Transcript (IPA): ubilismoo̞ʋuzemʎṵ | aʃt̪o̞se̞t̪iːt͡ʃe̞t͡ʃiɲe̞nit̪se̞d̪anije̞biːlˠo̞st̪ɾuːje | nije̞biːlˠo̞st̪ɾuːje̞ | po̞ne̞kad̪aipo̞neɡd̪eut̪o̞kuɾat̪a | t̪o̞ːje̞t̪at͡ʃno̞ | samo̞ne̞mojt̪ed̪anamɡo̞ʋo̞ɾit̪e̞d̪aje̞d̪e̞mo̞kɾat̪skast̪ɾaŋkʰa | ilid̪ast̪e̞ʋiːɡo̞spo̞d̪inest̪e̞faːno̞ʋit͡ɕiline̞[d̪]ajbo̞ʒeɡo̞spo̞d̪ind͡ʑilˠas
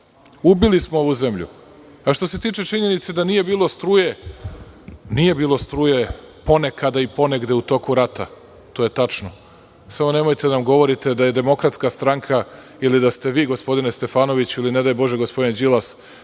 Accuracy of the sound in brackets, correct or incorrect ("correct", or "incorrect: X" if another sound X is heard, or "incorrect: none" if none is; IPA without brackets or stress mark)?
correct